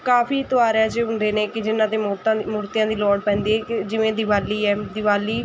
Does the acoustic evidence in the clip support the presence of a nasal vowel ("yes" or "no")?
yes